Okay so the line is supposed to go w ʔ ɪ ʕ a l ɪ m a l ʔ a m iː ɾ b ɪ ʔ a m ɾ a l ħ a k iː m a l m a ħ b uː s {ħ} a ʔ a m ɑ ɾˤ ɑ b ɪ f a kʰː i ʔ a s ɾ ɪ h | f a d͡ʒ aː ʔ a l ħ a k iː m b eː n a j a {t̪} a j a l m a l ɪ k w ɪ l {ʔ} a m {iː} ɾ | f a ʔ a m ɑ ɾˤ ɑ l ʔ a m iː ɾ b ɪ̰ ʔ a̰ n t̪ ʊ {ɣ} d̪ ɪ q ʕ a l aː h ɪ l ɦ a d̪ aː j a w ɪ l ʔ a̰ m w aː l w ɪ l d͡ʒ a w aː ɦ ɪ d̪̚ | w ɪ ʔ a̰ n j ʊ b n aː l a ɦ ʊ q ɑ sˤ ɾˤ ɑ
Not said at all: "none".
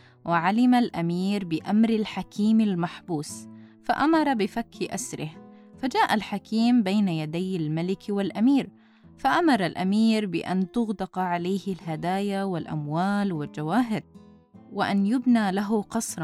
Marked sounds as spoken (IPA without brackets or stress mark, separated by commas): f, d̪, ʔ, iː, ɣ